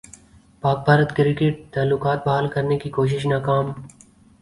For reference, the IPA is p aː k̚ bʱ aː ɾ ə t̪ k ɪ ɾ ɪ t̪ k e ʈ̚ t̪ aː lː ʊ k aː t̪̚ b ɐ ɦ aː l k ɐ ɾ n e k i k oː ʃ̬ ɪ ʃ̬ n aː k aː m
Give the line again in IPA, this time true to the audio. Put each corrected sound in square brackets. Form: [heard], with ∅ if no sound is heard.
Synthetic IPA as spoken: p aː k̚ bʱ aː ɾ ə t̪ k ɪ ɾ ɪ [∅] k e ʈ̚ t̪ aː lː ʊ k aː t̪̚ b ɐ ɦ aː l k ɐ ɾ n e k i k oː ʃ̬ ɪ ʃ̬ n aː k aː m